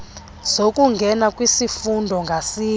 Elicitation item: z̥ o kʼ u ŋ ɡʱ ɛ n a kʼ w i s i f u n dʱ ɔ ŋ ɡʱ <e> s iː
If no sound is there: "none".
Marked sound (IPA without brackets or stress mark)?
a